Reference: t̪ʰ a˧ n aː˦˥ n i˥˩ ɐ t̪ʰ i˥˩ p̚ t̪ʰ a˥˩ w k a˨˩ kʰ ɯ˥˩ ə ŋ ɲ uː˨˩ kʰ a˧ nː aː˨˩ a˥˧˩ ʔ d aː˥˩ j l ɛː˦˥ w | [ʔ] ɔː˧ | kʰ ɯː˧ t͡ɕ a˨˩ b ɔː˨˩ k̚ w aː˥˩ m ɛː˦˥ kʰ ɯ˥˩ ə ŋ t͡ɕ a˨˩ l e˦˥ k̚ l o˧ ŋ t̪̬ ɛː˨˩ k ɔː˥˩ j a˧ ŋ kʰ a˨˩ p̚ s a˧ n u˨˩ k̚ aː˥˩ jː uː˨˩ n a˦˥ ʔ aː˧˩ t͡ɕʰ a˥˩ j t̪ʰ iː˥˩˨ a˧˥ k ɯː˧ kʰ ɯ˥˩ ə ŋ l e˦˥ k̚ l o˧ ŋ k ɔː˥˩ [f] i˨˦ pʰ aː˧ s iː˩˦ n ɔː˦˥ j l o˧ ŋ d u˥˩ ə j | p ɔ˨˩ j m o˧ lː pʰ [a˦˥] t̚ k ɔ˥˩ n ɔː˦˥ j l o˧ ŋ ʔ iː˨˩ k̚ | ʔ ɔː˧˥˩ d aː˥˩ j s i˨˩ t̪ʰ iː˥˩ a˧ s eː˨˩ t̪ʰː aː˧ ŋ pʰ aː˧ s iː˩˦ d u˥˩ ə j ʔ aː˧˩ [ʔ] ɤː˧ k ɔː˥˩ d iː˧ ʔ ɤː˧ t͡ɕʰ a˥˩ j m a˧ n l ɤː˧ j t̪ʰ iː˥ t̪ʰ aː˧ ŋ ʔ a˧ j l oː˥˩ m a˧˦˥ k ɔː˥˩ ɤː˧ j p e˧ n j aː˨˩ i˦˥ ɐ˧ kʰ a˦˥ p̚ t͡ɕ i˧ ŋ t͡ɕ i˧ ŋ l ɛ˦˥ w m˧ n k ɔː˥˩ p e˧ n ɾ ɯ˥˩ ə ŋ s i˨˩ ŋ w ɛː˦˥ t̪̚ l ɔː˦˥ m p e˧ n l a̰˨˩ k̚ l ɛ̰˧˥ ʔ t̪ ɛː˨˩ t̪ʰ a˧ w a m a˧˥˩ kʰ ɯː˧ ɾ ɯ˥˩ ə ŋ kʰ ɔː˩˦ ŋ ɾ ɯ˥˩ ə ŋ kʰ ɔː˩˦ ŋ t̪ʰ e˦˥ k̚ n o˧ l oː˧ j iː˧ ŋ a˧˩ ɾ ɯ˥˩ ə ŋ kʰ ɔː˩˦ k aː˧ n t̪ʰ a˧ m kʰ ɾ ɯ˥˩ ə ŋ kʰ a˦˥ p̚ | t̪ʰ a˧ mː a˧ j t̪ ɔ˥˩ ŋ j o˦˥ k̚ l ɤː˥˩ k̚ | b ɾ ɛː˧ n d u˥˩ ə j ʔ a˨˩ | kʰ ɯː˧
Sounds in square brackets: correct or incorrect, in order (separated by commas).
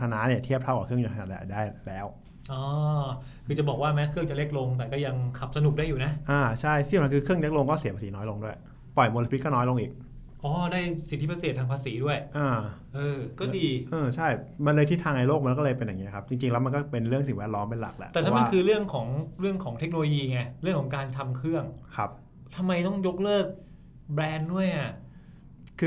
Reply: correct, incorrect, incorrect, correct